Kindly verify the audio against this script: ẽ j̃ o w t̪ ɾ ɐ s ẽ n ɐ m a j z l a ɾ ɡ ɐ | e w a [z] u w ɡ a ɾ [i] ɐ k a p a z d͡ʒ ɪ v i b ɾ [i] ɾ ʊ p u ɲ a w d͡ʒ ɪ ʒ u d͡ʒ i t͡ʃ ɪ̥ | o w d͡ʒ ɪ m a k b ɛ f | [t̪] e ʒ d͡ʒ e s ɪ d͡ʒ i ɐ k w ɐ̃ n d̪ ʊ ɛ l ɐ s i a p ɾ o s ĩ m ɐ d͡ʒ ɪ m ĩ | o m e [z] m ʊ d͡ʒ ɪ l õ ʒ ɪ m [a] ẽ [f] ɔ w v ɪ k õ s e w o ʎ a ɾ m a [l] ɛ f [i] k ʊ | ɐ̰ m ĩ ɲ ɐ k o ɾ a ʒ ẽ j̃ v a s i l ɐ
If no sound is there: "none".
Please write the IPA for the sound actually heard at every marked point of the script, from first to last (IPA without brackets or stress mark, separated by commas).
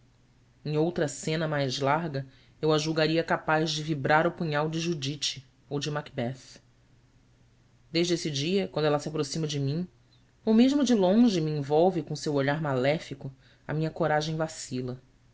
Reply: ʒ, i, a, d̪, ʒ, i, v, l, i